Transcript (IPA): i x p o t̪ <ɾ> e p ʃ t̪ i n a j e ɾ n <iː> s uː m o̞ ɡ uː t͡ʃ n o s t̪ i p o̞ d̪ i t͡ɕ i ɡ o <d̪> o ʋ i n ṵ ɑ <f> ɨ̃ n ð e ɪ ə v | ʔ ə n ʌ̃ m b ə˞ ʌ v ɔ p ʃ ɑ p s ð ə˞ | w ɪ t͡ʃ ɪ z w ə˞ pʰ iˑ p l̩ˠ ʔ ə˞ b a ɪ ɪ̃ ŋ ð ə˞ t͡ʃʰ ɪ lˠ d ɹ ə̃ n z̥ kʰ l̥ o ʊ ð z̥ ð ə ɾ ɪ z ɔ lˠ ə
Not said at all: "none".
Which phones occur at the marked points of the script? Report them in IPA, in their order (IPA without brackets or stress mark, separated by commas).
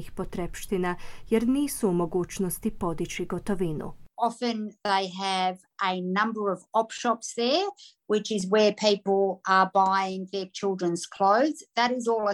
ɾ, iː, t̪, f